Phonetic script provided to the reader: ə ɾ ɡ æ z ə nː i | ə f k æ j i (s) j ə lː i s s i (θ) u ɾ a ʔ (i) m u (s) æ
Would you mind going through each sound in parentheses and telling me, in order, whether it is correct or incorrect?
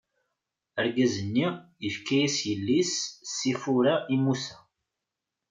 correct, incorrect: f, correct, correct

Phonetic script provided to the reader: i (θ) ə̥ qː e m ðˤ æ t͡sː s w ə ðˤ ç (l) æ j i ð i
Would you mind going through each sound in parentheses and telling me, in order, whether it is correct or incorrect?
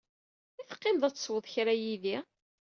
correct, incorrect: ɾ

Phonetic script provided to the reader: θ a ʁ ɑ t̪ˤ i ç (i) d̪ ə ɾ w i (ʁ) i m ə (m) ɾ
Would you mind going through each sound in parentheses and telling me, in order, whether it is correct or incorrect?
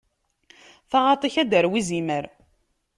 incorrect: æ, incorrect: z, incorrect: none

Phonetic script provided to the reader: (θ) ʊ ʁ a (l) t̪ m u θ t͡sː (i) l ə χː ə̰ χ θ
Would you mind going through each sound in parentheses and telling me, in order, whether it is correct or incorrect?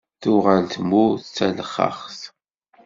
correct, correct, incorrect: æ

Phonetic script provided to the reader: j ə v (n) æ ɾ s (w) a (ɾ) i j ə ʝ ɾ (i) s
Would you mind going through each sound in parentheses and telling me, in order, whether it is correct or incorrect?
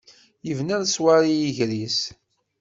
correct, correct, correct, correct

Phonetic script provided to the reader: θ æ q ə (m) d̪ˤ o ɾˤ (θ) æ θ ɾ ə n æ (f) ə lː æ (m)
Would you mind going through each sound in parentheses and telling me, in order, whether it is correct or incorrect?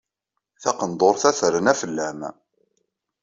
incorrect: n, correct, correct, correct

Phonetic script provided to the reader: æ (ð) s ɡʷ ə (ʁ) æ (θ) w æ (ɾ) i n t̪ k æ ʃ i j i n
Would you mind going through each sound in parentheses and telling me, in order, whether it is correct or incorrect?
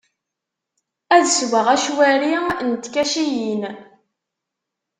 correct, correct, incorrect: ʃ, correct

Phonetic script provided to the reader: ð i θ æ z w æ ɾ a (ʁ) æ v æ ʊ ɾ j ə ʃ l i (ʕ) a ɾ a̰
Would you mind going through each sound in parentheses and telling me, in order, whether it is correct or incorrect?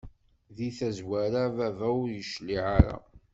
incorrect: v, correct

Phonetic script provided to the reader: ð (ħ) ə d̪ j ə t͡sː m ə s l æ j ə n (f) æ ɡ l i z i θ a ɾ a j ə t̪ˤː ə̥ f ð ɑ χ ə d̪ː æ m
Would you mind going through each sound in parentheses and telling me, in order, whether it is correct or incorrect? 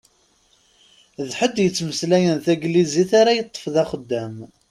correct, incorrect: θ

